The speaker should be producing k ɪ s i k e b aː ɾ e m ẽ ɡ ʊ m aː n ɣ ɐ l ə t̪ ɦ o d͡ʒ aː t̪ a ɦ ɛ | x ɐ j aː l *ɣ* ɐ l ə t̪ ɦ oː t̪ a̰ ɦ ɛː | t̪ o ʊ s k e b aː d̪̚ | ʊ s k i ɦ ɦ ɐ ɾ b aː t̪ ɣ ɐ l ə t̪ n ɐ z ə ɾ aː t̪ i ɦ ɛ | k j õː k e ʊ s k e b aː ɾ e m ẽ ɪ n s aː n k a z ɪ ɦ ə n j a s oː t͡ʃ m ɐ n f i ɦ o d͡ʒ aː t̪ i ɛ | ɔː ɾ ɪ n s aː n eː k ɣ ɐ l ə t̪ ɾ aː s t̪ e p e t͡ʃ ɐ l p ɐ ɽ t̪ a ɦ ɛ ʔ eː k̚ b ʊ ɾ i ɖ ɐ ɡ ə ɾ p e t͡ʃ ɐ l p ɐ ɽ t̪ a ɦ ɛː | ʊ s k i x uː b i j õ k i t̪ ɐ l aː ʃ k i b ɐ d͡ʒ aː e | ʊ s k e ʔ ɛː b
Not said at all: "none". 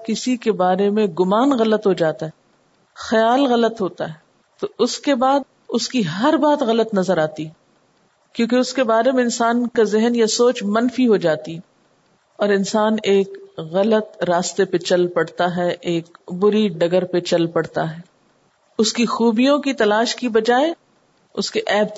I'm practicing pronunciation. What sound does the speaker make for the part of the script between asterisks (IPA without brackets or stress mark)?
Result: ɣ